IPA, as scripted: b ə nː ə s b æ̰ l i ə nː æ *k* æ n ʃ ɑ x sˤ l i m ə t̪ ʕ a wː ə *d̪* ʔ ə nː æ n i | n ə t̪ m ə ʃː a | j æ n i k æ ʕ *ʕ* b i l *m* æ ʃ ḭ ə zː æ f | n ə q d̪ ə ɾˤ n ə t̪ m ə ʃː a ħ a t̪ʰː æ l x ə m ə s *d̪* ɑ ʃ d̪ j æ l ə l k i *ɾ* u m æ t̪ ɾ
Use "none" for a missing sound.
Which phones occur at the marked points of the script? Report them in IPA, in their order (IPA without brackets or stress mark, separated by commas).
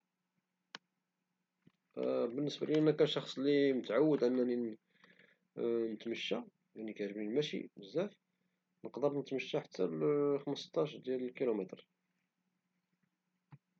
k, d̪, ʒ, m, t̪, l